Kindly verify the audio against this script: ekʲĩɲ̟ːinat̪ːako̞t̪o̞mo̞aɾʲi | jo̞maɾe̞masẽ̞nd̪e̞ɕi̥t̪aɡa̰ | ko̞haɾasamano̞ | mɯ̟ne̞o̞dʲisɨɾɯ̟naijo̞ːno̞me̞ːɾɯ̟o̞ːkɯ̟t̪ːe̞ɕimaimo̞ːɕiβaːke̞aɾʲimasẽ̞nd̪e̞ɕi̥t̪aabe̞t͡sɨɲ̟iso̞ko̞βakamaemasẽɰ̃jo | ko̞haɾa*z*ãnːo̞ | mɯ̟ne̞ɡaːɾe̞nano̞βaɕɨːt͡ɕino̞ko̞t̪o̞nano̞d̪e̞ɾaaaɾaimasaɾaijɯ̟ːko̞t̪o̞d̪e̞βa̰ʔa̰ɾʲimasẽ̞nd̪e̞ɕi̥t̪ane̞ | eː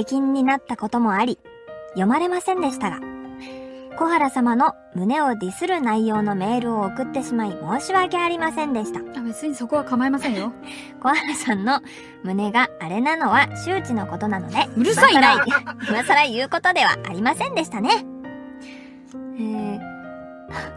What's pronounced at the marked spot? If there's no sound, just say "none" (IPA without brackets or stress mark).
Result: s